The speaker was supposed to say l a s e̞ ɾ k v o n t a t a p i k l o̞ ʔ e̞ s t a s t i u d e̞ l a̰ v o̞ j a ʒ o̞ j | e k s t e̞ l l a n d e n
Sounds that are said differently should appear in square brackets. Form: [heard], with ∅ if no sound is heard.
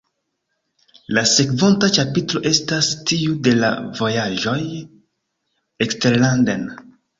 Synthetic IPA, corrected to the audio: l a s e̞ [∅] k v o n t a [t͡ʃ] a p i [t] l o̞ ʔ e̞ s t a s t i u d e̞ l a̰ v o̞ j a ʒ o̞ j | e k s t e̞ [ɾ] l a n d e n